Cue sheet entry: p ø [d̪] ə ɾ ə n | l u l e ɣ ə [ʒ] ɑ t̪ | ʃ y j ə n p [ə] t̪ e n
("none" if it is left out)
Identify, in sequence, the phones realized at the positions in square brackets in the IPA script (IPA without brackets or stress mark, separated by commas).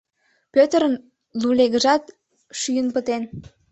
t̪, ʒ, ə